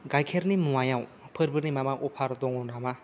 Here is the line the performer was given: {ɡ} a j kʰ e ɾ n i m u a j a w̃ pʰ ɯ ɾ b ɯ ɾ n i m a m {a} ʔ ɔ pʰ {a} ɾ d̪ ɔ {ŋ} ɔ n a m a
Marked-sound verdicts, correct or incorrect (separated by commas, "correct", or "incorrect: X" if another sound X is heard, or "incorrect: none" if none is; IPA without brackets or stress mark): correct, correct, correct, correct